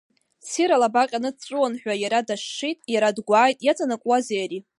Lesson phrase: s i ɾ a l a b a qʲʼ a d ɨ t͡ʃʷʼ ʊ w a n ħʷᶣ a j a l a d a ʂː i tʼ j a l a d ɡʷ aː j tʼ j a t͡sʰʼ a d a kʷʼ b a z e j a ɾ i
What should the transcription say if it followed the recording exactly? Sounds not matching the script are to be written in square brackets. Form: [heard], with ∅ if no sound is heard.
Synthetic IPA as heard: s i ɾ a l a b a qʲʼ a [n] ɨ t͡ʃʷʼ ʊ w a n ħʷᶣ a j a [ɾ] a d a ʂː i tʼ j a [ɾ] a d ɡʷ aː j tʼ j a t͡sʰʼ a [n] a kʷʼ [w] a z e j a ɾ i